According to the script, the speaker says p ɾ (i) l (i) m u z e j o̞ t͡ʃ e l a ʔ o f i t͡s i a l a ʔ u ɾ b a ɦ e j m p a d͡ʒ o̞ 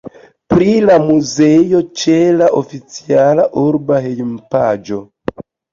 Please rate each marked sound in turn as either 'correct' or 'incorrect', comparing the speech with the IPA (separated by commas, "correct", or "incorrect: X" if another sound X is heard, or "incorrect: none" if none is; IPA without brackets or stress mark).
correct, incorrect: a